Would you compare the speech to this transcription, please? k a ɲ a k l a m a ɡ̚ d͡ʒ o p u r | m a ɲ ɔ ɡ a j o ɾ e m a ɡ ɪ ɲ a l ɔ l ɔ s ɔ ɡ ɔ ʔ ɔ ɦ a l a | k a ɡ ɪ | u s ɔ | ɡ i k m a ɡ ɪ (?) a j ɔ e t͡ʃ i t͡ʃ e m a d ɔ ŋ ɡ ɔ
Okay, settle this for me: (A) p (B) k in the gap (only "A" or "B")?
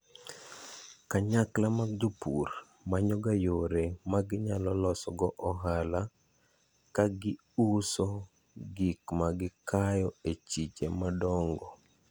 B